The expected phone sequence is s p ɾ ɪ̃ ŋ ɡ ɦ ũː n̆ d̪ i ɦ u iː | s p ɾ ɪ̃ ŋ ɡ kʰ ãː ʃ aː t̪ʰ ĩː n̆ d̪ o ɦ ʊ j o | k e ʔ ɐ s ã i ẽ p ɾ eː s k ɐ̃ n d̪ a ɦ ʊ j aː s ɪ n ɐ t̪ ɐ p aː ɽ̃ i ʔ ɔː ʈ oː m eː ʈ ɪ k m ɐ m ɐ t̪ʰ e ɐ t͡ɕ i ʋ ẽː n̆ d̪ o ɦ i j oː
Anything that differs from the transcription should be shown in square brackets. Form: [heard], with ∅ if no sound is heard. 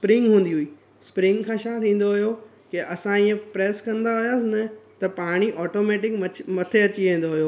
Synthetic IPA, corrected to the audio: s p ɾ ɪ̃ ŋ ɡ ɦ ũː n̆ d̪ i ɦ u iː | s p ɾ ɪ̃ ŋ ɡ kʰ ãː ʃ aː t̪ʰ ĩː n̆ d̪ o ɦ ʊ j o | k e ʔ ɐ s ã i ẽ p ɾ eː s k ɐ̃ n d̪ a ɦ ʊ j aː s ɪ n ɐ t̪ ɐ p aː ɽ̃ i ʔ ɔː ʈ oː m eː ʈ ɪ k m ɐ m ɐ t̪ʰ e ɐ t͡ɕ i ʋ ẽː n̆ d̪ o ɦ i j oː